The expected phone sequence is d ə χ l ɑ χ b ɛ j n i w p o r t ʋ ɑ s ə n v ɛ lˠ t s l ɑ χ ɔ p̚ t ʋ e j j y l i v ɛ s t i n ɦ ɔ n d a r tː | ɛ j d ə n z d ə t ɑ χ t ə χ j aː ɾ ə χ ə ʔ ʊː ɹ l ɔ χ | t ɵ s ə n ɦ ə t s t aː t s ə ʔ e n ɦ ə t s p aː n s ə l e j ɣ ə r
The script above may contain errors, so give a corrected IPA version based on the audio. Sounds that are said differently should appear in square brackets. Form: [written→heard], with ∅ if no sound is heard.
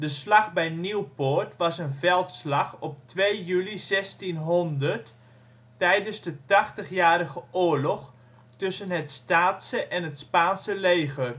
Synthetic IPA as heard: d ə [χ→s] l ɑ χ b ɛ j n i w p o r t ʋ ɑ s ə n v ɛ lˠ t s l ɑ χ ɔ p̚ t ʋ e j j y l i [v→z] ɛ s t i n ɦ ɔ n d [a→ə] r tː | ɛ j d ə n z d ə t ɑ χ t ə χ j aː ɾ ə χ ə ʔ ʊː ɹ l ɔ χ | t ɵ s ə n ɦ ə t s t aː t s ə ʔ [e→ɛ] n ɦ ə t s p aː n s ə l e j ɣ ə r